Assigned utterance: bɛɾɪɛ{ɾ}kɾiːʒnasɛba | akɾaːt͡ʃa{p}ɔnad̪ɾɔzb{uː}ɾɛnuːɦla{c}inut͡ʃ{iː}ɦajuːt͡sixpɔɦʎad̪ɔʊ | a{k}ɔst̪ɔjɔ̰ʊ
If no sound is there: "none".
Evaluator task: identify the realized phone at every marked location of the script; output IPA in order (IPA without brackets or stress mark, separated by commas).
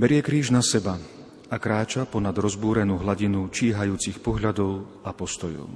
none, p, uː, ɟ, iː, p